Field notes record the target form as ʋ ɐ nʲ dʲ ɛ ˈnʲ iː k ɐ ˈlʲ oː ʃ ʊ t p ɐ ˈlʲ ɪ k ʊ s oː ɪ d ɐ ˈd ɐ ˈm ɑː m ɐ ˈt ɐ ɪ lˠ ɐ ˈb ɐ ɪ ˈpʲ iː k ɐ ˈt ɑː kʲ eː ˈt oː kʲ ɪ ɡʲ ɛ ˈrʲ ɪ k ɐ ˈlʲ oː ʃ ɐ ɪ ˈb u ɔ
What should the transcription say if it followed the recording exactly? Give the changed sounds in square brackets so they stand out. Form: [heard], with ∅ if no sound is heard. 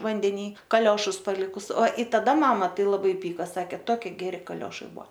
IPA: ʋ ɐ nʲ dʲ ɛ ˈnʲ iː k ɐ ˈlʲ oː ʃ ʊ [s] p ɐ ˈlʲ ɪ k ʊ s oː ɪ [t] ɐ ˈd ɐ ˈm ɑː m ɐ ˈt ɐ ɪ lˠ ɐ ˈb ɐ ɪ ˈpʲ iː k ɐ [ˈs] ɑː kʲ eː ˈt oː kʲ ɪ ɡʲ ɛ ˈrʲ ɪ k ɐ ˈlʲ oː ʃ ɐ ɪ ˈb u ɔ

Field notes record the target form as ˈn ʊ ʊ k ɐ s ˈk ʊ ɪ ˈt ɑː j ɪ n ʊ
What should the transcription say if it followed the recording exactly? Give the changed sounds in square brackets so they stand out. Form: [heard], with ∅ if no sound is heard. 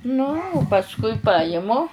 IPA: ˈn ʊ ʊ [p] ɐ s ˈk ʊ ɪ [ˈp] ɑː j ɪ [m] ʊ

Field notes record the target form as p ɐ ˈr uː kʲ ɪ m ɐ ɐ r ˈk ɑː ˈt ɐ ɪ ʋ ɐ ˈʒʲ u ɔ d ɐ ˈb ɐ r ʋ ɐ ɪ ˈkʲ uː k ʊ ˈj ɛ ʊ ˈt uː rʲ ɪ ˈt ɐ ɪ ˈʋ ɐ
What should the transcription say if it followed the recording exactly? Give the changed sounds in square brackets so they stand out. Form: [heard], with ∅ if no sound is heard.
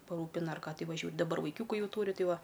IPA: p ɐ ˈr uː [pʲ] ɪ [n] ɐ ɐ r ˈk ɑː ˈt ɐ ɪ ʋ ɐ ˈʒʲ u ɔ d ɐ ˈb ɐ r ʋ ɐ ɪ ˈkʲ uː k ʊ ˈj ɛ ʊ ˈt uː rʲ ɪ ˈt ɐ ɪ ˈʋ ɐ

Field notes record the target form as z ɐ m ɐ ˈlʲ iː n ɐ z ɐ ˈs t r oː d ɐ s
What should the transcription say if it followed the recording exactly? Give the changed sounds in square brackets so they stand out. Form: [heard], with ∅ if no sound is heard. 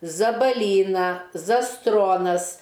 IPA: z ɐ [b] ɐ ˈlʲ iː n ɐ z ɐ ˈs t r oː [n] ɐ s

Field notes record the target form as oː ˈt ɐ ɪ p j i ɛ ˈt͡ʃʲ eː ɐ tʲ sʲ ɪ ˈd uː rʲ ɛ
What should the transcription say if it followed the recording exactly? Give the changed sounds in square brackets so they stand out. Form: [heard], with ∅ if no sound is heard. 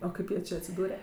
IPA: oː [ˈk] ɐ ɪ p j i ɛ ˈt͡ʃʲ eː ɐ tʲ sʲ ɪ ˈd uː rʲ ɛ

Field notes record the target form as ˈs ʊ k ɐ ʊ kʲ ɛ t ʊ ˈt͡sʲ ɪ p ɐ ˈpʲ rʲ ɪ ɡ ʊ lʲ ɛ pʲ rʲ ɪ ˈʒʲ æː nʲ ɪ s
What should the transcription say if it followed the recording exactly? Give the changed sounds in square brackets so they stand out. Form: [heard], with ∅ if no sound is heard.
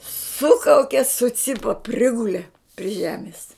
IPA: ˈs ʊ k ɐ ʊ kʲ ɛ [s] ʊ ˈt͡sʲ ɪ p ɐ ˈpʲ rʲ ɪ ɡ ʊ lʲ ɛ pʲ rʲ ɪ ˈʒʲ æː [mʲ] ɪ s

